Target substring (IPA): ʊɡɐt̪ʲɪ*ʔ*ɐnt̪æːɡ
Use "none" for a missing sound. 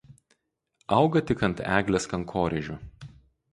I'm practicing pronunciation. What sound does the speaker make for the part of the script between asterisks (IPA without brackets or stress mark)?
k